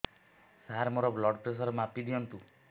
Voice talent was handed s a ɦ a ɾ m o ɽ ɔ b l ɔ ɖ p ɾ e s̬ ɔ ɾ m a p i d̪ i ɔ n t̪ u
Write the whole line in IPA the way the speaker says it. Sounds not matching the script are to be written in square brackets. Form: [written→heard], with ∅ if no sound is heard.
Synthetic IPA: s a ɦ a ɾ m o [ɽ→ɾ] ɔ b l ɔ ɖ p ɾ e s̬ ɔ ɾ m a p i d̪ i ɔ n t̪ u